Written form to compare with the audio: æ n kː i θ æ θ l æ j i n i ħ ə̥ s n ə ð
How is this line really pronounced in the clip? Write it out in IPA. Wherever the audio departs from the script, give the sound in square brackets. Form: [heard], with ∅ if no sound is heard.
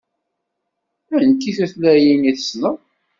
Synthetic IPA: æ n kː i θ æ θ l æ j i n i [θ] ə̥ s n ə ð